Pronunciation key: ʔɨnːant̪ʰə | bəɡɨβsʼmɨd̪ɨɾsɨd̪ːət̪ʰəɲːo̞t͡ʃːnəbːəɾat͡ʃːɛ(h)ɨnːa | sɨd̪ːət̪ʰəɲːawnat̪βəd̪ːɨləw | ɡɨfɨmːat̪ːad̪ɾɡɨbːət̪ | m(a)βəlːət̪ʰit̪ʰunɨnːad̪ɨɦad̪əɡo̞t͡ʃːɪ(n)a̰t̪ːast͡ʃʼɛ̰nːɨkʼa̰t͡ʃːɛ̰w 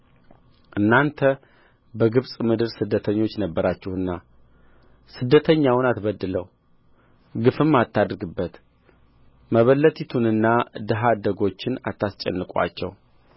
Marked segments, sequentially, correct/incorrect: correct, incorrect: ə, correct

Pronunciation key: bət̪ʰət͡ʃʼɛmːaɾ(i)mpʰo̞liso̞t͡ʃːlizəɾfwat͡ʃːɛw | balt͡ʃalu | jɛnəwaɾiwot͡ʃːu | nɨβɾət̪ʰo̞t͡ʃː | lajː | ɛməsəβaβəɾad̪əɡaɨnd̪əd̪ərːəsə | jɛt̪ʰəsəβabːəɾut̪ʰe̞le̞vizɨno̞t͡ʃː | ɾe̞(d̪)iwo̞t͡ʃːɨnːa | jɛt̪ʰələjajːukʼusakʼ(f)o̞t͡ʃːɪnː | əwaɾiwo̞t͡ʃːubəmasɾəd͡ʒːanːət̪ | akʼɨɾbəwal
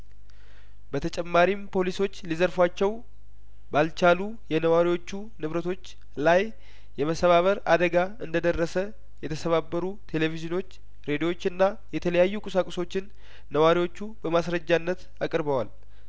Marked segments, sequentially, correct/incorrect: correct, correct, incorrect: s

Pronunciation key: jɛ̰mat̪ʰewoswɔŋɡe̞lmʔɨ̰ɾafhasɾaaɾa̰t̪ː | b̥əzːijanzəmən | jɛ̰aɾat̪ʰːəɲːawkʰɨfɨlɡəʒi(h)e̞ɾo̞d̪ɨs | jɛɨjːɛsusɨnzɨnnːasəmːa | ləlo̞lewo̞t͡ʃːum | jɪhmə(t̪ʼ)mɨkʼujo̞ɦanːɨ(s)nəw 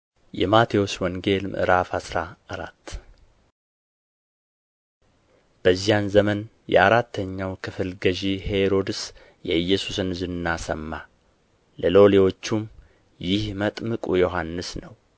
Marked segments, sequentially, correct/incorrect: correct, correct, correct

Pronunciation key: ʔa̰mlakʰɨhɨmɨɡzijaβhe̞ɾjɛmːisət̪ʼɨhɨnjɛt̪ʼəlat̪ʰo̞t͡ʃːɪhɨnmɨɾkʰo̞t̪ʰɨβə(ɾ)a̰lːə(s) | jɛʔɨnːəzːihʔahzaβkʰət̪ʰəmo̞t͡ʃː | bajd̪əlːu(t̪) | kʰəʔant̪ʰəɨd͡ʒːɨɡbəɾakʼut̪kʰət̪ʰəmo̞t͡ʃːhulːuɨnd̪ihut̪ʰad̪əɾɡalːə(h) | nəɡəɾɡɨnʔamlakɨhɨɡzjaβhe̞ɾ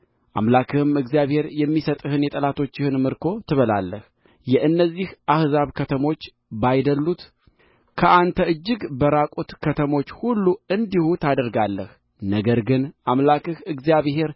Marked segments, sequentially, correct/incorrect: incorrect: l, incorrect: h, correct, correct

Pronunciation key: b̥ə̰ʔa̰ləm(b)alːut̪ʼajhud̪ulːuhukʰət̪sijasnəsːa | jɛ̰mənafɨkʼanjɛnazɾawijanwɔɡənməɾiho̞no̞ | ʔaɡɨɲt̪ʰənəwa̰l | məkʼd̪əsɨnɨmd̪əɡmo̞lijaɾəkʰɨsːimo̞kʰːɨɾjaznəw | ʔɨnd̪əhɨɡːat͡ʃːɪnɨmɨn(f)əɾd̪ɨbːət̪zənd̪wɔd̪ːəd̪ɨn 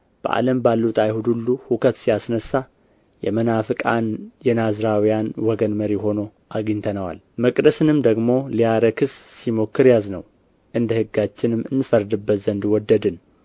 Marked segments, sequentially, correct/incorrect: correct, correct

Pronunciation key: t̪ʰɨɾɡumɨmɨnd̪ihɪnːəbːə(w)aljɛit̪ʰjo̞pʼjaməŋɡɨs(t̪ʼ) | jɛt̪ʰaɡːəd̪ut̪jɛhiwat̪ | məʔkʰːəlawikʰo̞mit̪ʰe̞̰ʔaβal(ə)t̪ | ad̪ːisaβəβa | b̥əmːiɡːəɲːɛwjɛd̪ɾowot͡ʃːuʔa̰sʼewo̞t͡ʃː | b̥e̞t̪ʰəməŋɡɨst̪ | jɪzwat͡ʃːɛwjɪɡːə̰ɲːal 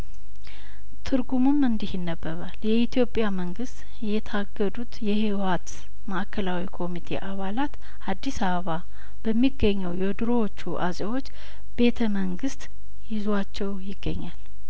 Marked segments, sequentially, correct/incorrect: incorrect: β, incorrect: t̪, incorrect: a

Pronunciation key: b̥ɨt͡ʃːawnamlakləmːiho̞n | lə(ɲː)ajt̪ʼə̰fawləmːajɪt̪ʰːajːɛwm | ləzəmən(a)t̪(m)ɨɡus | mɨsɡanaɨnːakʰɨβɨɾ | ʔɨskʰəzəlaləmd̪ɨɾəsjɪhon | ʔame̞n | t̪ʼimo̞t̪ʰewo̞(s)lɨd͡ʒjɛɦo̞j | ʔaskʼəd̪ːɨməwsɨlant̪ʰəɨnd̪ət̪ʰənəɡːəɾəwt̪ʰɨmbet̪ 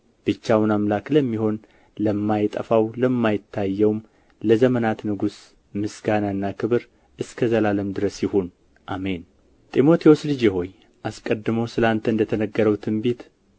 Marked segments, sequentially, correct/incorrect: incorrect: mː, correct, incorrect: n, correct

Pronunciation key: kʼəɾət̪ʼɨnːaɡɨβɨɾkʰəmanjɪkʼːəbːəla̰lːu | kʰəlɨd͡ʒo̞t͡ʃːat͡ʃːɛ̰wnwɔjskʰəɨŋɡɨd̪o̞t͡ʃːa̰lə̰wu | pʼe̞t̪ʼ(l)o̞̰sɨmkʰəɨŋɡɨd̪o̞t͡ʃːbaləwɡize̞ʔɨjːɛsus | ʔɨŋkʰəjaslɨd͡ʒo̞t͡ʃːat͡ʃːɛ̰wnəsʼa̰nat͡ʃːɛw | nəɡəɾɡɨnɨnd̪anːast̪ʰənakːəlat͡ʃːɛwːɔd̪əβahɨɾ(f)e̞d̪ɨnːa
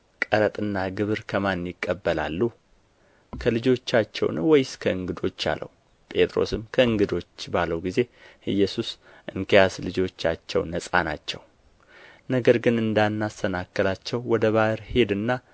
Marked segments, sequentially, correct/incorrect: incorrect: ɾ, incorrect: h

